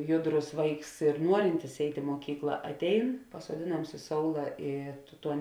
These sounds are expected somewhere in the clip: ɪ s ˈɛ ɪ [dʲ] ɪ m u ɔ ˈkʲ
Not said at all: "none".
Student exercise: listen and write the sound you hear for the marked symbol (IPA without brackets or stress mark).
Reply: tʲ